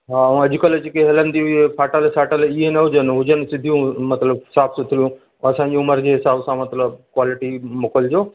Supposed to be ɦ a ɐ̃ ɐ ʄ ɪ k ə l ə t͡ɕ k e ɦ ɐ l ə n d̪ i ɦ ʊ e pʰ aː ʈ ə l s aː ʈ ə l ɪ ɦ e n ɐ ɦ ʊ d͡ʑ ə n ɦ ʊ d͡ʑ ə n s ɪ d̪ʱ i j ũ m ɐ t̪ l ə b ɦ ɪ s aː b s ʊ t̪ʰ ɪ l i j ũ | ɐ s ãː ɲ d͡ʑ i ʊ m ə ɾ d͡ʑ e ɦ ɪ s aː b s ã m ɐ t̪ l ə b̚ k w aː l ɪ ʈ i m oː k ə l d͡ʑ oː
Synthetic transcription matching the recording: ɦ a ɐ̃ ɐ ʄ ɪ k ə l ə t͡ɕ k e ɦ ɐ l ə n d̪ i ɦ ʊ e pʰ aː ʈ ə l s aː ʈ ə l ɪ ɦ e n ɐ ɦ ʊ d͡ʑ ə n ɦ ʊ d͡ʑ ə n s ɪ d̪ʱ i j ũ m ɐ t̪ l ə b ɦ ɪ s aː b s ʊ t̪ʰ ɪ l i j ũ | ɐ s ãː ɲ d͡ʑ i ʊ m ə ɾ d͡ʑ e ɦ ɪ s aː b s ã m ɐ t̪ l ə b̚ k w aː l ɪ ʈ i m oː k ə l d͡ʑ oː